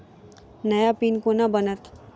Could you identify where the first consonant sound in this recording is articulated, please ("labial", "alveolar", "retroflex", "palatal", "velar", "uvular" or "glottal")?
alveolar